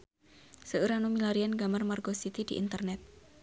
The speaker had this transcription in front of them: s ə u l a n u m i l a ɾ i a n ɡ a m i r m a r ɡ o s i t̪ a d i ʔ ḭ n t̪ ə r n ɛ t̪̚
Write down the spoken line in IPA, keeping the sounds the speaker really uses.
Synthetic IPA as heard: s ə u ɾ a n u m i l a ɾ i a n ɡ a m a r m a r ɡ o s i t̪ i d i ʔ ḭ n t̪ ə r n ɛ t̪̚